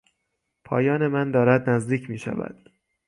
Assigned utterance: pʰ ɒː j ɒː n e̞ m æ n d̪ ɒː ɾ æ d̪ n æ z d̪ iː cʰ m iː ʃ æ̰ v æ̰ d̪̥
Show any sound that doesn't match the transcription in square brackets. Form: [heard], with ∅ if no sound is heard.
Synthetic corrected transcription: pʰ ɒː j ɒː n e̞ m æ n d̪ ɒː ɾ æ d̪ n æ z d̪ iː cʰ m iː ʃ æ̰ v æ̰ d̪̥